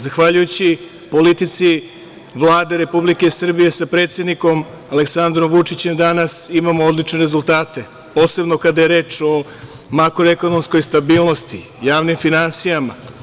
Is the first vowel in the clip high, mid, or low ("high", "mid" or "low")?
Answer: low